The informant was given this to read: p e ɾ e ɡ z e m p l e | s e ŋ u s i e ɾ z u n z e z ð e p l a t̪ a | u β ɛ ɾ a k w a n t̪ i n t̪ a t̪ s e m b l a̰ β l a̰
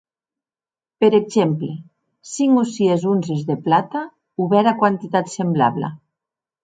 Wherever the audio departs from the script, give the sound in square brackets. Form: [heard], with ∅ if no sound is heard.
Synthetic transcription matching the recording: p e ɾ e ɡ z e m p l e | s [i] ŋ u s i e [∅] z u n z e z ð e p l a t̪ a | u β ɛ ɾ a k w a n t̪ i [∅] t̪ a t̪ s e m b l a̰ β l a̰